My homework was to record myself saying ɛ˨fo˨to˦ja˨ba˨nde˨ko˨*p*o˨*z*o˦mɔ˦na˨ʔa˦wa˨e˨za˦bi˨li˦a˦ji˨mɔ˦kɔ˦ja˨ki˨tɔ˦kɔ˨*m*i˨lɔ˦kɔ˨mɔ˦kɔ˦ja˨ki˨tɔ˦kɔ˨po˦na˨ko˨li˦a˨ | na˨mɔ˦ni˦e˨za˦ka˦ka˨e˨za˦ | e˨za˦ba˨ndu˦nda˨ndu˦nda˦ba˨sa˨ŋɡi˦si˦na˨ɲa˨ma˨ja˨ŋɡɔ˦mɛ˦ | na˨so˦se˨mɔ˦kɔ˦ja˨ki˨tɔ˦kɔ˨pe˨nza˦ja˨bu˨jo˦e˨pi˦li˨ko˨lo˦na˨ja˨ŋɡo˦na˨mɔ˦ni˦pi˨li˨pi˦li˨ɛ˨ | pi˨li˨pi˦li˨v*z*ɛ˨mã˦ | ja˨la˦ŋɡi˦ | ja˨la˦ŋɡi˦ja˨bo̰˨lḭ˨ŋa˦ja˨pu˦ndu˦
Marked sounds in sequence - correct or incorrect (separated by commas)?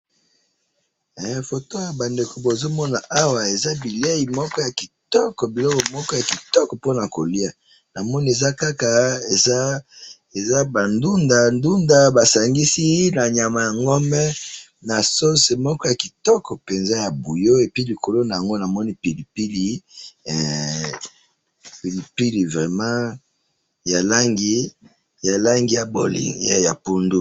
incorrect, correct, incorrect, incorrect